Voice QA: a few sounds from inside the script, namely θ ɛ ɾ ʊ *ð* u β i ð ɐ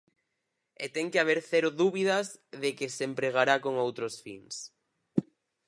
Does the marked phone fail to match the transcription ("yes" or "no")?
no